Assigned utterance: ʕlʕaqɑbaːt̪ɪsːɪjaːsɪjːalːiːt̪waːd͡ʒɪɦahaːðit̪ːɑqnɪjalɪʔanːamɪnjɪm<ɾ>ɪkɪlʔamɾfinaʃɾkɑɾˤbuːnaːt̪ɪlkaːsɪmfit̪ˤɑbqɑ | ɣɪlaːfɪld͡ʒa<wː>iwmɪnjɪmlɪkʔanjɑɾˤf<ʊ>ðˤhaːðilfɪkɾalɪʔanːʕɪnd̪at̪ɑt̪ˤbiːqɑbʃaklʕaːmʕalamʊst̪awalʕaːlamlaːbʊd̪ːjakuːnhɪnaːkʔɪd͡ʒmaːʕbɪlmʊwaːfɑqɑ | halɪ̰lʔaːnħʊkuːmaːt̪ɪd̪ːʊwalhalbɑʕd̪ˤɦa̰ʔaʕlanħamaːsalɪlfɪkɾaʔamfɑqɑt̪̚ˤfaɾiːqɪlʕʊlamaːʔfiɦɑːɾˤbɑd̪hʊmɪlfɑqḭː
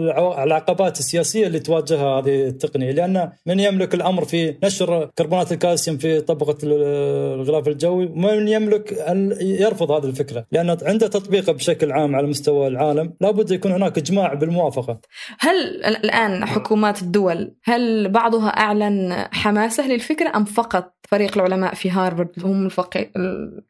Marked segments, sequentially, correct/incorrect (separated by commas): incorrect, correct, correct